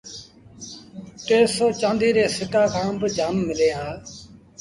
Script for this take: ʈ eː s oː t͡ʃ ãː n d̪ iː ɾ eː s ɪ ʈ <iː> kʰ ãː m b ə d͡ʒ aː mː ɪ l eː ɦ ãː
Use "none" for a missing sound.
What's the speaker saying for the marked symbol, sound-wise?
aː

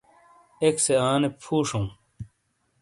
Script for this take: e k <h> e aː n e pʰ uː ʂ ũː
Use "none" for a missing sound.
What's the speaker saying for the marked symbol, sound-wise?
s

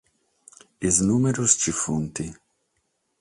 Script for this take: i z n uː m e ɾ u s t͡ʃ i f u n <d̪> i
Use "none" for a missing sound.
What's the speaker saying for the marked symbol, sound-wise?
t̪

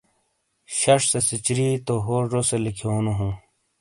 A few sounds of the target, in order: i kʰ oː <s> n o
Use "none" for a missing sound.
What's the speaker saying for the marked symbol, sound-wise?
none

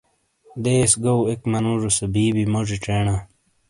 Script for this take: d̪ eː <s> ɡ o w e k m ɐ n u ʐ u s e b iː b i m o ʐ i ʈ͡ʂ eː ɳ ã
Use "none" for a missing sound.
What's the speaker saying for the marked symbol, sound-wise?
s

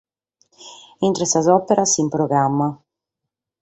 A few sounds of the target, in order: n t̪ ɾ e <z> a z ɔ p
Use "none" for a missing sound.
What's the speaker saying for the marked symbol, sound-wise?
s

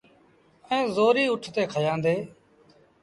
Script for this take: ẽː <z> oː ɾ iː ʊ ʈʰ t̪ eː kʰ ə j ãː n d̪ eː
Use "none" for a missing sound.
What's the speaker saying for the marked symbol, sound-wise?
z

